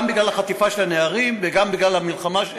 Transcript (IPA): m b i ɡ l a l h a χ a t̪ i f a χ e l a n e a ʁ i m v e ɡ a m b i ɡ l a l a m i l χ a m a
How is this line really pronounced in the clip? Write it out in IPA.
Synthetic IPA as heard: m b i ɡ l a l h a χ a t̪ i f a ʃ e l a n e a ʁ i m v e ɡ a m b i ɡ l a l a m i l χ a m a